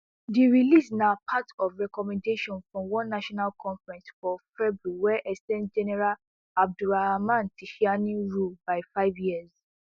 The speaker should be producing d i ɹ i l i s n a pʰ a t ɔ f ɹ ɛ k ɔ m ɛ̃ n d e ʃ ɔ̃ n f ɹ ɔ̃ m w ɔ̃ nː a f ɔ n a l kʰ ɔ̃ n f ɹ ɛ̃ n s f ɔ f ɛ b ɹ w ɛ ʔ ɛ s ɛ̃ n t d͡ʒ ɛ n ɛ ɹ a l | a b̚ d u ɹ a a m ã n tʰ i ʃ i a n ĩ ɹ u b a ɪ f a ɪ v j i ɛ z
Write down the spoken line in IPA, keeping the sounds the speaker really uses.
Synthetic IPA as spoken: d i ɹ i l i s n a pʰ a t ɔ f ɹ ɛ k ɔ m ɛ̃ n d e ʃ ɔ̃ n f ɹ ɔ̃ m w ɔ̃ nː a ʃ ɔ n a l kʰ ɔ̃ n f ɹ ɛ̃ n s f ɔ f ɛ b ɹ w ɛ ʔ ɛ s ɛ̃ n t d͡ʒ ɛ n ɛ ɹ a l | a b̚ d u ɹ a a m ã n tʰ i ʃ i a n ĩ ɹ u b a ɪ f a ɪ v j i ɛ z